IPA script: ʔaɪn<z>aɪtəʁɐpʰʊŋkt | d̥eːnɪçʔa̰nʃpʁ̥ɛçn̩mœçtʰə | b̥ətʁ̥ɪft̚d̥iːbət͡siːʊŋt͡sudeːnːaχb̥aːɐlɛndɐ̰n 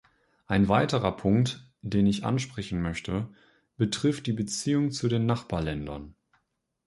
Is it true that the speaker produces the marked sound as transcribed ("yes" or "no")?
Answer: no